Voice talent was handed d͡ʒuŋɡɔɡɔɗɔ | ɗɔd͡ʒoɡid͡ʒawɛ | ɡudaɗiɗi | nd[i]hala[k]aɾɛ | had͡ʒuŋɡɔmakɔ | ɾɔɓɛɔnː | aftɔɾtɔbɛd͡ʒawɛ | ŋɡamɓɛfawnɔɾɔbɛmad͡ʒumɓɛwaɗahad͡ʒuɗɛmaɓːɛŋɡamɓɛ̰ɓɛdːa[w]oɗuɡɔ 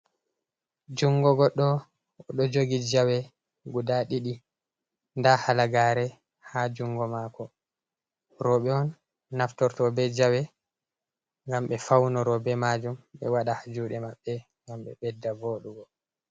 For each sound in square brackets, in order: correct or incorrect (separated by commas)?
incorrect, incorrect, incorrect